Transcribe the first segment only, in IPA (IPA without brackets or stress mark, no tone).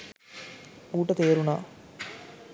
uː